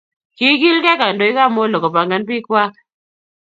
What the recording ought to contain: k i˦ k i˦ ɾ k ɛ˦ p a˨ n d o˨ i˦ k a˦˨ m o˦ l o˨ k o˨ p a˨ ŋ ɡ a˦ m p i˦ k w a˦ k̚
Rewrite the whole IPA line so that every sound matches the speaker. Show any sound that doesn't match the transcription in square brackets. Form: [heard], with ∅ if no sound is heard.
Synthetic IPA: k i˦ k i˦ [l] k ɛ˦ [k] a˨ n d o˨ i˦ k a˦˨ m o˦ l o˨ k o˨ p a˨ ŋ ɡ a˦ [n] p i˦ k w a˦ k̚